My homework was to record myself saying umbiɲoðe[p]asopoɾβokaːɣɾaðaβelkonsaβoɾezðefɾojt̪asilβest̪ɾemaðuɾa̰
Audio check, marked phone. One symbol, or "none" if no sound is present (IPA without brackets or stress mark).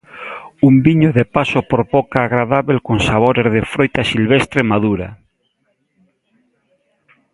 p